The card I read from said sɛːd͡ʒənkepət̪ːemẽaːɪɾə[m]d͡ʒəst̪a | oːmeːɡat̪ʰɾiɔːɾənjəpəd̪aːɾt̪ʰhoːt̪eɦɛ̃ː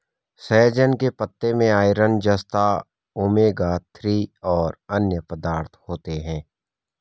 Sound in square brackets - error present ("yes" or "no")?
yes